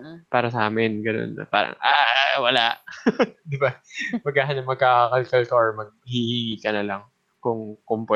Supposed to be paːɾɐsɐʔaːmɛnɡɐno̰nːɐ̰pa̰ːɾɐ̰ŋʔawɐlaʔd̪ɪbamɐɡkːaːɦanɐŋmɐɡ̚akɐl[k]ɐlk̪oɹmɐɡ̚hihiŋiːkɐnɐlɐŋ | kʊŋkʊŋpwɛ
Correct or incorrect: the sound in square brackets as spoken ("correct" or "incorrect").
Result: correct